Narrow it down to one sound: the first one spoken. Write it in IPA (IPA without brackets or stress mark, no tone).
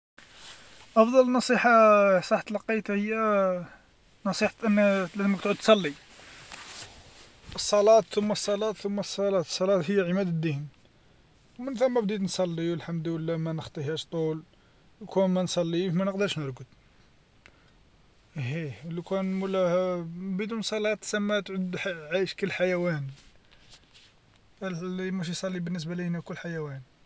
ʔ